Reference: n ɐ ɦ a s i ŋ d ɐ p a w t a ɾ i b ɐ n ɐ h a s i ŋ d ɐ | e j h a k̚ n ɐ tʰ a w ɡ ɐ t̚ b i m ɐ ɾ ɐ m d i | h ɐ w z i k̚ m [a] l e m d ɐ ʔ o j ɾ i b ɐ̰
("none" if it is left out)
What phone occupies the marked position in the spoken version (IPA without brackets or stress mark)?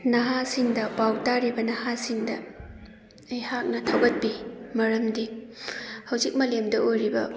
ɐ